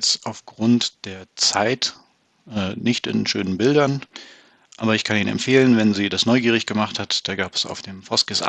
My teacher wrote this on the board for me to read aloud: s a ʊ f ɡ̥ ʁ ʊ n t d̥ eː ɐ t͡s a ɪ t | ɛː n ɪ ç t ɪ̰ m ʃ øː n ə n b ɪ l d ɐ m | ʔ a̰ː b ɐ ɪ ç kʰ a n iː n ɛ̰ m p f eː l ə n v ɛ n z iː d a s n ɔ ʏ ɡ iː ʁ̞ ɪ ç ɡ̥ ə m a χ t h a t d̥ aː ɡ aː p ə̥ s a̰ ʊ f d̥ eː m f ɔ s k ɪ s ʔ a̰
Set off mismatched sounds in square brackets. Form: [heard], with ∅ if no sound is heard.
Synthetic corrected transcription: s a ʊ f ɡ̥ ʁ ʊ n t d̥ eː ɐ t͡s a ɪ t | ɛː n ɪ ç t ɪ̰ [n] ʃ øː n ə n b ɪ l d ɐ [n] | ʔ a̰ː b ɐ ɪ ç kʰ a n iː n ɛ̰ m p f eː l ə n v ɛ n z iː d a s n ɔ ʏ ɡ iː ʁ̞ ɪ ç ɡ̥ ə m a χ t h a t d̥ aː ɡ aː p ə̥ s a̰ ʊ f d̥ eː m f ɔ s k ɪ s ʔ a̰

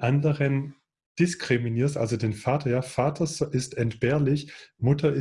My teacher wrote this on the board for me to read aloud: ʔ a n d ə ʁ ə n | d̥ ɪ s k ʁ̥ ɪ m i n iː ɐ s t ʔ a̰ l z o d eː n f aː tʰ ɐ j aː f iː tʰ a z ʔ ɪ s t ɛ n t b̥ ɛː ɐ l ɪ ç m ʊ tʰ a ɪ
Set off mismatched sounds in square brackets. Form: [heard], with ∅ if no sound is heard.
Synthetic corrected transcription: ʔ a n d ə ʁ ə n | d̥ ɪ s k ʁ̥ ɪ m i n iː ɐ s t ʔ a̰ l z o d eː n f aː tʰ ɐ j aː f [aː] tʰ [ɐ] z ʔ ɪ s t ɛ n t b̥ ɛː ɐ l ɪ ç m ʊ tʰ [ɐ] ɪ

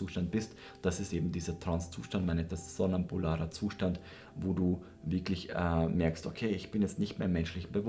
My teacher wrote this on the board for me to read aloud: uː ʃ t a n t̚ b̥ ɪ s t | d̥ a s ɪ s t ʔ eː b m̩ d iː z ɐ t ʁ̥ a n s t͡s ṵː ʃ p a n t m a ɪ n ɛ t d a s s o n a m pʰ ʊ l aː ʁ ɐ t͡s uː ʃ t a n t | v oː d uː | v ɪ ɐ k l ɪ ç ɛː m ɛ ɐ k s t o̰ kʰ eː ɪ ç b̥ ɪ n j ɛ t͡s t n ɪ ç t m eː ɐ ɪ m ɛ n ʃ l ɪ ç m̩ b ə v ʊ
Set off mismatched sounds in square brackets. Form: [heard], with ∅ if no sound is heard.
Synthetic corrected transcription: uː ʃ t a n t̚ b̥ ɪ s t | d̥ a s ɪ s t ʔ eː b m̩ d iː z ɐ t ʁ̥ a n s t͡s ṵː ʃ [t] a n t m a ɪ n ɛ t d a s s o n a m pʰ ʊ l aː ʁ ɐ t͡s uː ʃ t a n t | v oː d uː | v ɪ ɐ k l ɪ ç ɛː m ɛ ɐ k s t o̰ kʰ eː ɪ ç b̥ ɪ n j ɛ t͡s t n ɪ ç t m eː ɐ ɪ m ɛ n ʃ l ɪ ç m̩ b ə v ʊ

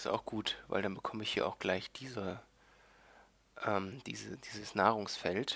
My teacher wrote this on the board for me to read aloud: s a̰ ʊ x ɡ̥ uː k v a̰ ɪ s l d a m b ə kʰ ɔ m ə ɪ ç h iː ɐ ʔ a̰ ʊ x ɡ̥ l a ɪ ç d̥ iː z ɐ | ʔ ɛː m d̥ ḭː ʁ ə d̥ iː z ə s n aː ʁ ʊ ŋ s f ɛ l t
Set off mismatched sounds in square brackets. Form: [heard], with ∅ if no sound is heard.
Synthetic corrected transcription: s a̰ ʊ x ɡ̥ uː [t] v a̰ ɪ [∅] l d a [n] b ə kʰ ɔ m ə ɪ ç h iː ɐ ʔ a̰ ʊ x ɡ̥ l a ɪ ç d̥ iː z ɐ | ʔ ɛː m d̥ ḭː [z] ə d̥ iː z ə s n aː ʁ ʊ ŋ s f ɛ l t

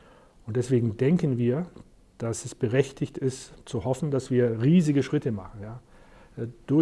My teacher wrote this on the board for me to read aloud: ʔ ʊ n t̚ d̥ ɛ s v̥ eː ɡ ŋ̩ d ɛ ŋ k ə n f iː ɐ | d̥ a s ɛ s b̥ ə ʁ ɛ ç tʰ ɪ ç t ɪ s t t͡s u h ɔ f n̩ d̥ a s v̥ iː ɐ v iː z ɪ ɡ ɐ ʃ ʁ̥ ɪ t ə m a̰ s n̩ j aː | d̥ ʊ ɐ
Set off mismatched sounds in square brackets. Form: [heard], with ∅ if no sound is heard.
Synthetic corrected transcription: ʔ ʊ n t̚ d̥ ɛ s v̥ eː ɡ ŋ̩ d ɛ ŋ k ə n [v] iː ɐ | d̥ a s ɛ s b̥ ə ʁ ɛ ç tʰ ɪ ç t ɪ s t t͡s u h ɔ f n̩ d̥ a s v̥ iː ɐ [ʁ] iː z ɪ ɡ [ə] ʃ ʁ̥ ɪ t ə m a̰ [χ] n̩ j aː | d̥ ʊ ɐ

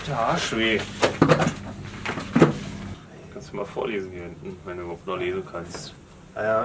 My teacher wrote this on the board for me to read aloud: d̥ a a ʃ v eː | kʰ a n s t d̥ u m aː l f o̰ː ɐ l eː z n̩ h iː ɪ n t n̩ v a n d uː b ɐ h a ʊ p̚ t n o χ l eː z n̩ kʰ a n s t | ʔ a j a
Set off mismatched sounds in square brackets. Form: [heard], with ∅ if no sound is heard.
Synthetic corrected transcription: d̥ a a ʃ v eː | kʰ a n s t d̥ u m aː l f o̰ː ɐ l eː z n̩ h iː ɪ n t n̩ v [ɛ] n d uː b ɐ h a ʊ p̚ t n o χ l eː z n̩ kʰ a n s t | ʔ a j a

